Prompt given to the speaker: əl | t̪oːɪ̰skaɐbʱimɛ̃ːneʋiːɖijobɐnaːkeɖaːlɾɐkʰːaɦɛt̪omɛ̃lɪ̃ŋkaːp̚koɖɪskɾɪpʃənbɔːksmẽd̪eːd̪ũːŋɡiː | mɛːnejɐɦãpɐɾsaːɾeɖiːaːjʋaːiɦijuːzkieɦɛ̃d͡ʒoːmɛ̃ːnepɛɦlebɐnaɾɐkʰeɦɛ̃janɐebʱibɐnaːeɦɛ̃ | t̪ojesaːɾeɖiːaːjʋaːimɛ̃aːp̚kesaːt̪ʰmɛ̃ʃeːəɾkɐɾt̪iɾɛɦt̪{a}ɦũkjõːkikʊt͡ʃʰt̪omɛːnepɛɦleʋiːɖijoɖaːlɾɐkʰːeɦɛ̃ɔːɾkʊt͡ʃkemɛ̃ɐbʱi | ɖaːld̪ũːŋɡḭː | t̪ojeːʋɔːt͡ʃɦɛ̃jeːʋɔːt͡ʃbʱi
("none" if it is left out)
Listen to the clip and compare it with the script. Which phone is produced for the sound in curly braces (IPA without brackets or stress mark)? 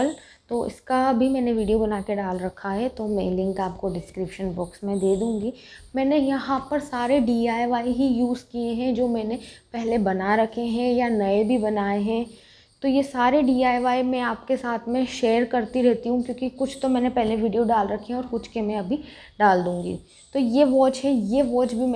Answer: i